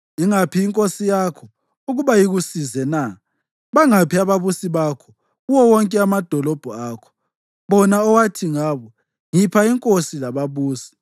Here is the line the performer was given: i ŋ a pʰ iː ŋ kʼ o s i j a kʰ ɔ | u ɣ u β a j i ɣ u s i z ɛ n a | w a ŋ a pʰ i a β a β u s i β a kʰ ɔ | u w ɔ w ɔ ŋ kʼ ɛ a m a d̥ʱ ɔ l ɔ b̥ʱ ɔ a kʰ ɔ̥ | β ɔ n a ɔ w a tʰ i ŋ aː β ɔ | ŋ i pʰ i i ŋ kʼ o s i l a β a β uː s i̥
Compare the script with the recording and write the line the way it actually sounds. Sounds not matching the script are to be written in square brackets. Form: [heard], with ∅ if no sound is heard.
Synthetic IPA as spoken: i ŋ a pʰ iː ŋ kʼ o s i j a kʰ ɔ | u ɣ u β a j i ɣ u s i z ɛ n a | [β] a ŋ a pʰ i a β a β u s i β a kʰ ɔ | u w ɔ w ɔ ŋ kʼ ɛ a m a d̥ʱ ɔ l ɔ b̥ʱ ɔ a kʰ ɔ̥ | β ɔ n a ɔ w a tʰ i ŋ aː β ɔ | ŋ i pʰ [a] i ŋ kʼ o s i l a β a β uː s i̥

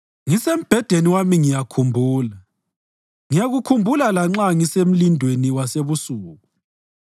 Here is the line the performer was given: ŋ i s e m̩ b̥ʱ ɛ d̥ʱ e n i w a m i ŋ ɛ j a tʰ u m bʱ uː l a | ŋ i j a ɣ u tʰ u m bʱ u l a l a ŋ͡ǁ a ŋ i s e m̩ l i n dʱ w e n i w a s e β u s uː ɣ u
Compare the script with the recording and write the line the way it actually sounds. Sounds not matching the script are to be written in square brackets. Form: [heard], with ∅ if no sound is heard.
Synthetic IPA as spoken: ŋ i s e m̩ b̥ʱ ɛ d̥ʱ e n i w a m i ŋ [i] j a [kʰ] u m bʱ uː l a | ŋ i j a ɣ u [kʰ] u m bʱ u l a l a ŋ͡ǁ a ŋ i s e m̩ l i n dʱ w e n i w a s e β u s uː ɣ u

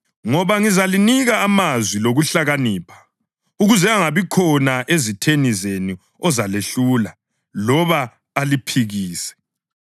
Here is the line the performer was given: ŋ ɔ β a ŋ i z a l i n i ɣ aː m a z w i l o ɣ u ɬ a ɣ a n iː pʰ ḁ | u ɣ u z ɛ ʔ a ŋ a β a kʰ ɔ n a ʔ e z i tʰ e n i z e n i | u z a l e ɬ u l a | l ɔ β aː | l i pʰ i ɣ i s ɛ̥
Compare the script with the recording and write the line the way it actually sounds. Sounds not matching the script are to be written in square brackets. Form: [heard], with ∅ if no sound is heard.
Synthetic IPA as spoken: ŋ ɔ β a ŋ i z a l i n i ɣ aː m a z w i l o ɣ u ɬ a ɣ a n iː pʰ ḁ | u ɣ u z ɛ [∅] a ŋ a β [i] kʰ ɔ n a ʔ e z i tʰ e n i z e n i | [ɔ] z a l e ɬ u l a | l ɔ β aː | l i pʰ i ɣ [iː] s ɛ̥

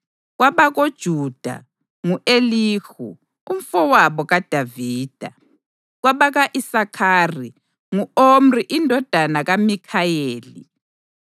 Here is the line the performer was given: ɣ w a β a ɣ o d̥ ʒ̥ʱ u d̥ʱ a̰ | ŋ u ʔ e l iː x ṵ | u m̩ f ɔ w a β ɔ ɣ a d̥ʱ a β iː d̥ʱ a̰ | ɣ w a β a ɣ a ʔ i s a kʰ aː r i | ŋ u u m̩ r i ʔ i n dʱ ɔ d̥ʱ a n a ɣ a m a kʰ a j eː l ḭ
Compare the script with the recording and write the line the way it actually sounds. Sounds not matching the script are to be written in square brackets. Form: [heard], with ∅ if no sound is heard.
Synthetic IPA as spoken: ɣ w a β a ɣ o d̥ ʒ̥ʱ u d̥ʱ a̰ | ŋ u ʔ e l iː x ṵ | u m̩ f ɔ w a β ɔ ɣ a d̥ʱ a [v] iː d̥ʱ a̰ | ɣ w a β a ɣ a ʔ i s a kʰ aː r i | ŋ u [o] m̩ r i ʔ i n dʱ ɔ d̥ʱ a n a ɣ a m [i] kʰ a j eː l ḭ

